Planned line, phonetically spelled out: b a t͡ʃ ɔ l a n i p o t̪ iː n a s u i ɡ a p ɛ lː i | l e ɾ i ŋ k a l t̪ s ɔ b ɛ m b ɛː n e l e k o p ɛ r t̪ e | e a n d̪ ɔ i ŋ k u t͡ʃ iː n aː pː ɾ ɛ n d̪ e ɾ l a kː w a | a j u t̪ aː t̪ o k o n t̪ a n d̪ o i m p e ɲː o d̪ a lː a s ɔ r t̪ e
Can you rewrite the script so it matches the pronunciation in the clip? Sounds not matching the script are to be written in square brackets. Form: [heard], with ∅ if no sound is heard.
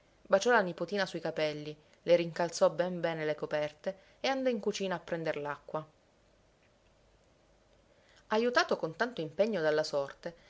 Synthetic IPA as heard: b a t͡ʃ ɔ l a n i p o t̪ iː n a s u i [k] a p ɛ lː i | l e ɾ i ŋ k a l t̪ s ɔ b ɛ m b ɛː n e l e k o p ɛ r t̪ e | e a n d̪ ɔ i ŋ k u t͡ʃ iː n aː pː ɾ ɛ n d̪ e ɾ l a kː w a | a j u t̪ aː t̪ o k o n t̪ a n [t̪] o i m p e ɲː o d̪ a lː a s ɔ r t̪ e